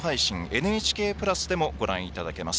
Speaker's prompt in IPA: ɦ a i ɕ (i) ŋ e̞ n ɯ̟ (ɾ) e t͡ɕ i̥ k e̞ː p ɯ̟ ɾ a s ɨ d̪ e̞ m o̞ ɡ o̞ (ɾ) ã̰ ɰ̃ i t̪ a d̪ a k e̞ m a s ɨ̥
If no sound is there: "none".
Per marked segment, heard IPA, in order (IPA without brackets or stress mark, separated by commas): ĩ, none, ɾ